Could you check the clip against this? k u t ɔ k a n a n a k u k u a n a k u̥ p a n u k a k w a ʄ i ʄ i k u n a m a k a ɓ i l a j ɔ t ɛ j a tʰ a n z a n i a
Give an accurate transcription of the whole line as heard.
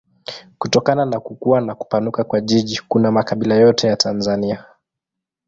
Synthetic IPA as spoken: k u t ɔ k a n a n a k u k u a n a k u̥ p a n u k a k w a ʄ i ʄ i k u n a m a k a ɓ i l a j ɔ t ɛ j a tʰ a n z a n i a

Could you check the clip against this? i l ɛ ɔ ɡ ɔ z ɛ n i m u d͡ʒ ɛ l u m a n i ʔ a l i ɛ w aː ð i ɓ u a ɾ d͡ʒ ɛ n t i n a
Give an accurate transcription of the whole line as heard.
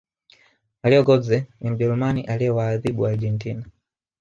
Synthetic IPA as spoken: a l i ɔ ɡ ɔ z ɛ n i m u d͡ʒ ɛ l u m a n i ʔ a l i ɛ w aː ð i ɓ u a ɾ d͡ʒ ɛ n t i n a

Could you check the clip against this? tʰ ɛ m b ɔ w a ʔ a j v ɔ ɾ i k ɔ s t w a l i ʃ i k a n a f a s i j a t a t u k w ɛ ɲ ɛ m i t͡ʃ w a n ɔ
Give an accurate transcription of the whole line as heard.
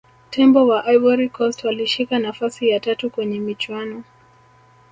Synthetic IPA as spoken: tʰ ɛ m b ɔ w a ʔ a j v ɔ ɾ i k ɔ s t w a l i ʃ i k a n a f a s i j a t a t u k w ɛ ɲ ɛ m i t͡ʃ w a n ɔ

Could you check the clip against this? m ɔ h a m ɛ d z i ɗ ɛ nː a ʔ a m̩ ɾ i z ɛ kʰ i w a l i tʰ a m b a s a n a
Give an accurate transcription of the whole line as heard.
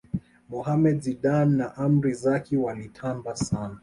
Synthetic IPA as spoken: m ɔ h a m ɛ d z i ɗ a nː a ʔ a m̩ ɾ i z a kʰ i w a l i tʰ a m b a s a n a

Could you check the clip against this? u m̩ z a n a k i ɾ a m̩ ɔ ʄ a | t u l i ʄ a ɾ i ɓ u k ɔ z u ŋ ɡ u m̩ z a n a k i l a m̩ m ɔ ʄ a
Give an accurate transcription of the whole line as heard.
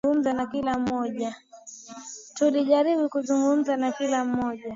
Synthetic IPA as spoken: u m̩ z a n a k i l a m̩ ɔ ʄ a | t u l i ʄ a ɾ i ɓ u k u z u ŋ ɡ u m̩ z a n a k i l a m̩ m ɔ ʄ a

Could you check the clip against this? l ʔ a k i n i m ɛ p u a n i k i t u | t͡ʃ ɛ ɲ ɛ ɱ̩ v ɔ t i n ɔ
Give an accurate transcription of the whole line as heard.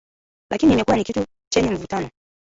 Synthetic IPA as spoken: l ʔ a k i n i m ɛ k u a n i k i t u | t͡ʃ ɛ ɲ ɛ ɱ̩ v u t a n ɔ

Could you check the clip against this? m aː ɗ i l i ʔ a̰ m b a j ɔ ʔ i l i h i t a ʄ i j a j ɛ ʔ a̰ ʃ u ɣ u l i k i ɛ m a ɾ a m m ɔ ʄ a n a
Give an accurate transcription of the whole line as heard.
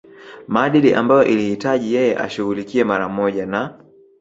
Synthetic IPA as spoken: m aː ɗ i l i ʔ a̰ m b a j ɔ ʔ i l i h i t a ʄ i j ɛ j ɛ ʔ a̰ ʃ u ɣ u l i k i ɛ m a ɾ a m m ɔ ʄ a n a

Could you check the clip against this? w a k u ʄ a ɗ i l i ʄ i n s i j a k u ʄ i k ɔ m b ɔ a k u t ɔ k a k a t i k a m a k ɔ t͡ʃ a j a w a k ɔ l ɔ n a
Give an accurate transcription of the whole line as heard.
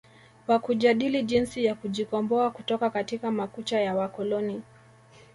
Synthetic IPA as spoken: w a k u ʄ a ɗ i l i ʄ i n s i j a k u ʄ i k ɔ m b ɔ a k u t ɔ k a k a t i k a m a k u t͡ʃ a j a w a k ɔ l ɔ n i

